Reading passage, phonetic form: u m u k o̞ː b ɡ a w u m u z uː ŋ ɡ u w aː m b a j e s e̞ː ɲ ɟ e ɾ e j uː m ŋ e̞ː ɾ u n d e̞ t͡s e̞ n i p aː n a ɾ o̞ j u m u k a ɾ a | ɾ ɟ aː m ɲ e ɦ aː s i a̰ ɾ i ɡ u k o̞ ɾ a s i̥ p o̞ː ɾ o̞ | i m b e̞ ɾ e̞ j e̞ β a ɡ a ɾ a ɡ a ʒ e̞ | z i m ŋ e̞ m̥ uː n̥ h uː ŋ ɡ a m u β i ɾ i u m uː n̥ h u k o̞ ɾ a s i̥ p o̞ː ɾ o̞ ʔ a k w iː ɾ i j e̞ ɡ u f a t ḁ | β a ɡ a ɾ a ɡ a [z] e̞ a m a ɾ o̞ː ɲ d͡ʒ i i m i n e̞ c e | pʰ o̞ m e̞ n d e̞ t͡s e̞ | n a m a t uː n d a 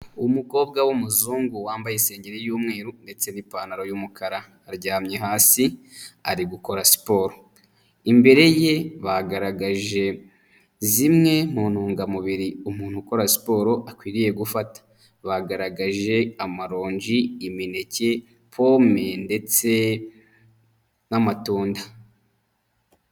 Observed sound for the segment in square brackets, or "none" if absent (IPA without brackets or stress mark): ʒ